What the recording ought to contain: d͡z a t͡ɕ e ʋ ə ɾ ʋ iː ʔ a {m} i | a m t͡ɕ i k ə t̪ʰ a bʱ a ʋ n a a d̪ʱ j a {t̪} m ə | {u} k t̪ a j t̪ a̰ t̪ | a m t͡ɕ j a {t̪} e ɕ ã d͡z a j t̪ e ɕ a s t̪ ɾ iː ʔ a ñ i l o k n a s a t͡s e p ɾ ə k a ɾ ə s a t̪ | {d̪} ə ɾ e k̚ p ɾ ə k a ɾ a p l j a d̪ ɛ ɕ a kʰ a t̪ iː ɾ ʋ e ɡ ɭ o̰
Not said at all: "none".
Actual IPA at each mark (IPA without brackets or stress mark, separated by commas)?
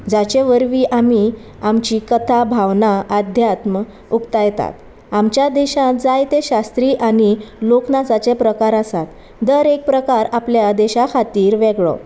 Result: m, t̪, u, d̪, d̪